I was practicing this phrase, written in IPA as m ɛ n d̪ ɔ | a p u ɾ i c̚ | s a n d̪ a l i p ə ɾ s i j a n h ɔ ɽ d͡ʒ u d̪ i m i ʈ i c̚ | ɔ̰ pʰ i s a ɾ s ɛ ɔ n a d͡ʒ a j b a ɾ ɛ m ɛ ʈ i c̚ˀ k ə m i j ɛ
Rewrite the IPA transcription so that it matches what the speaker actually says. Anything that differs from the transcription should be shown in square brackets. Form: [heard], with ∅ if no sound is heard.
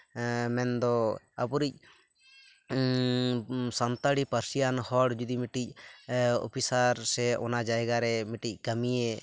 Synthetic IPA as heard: m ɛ n d̪ ɔ | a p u ɾ i c̚ | s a n [t̪] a [ɽ] i p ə ɾ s i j a n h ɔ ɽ d͡ʒ u d̪ i m i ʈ i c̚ | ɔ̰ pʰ i s a ɾ s ɛ ɔ n a d͡ʒ a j [ɡ] a ɾ ɛ m [i] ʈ i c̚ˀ k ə m i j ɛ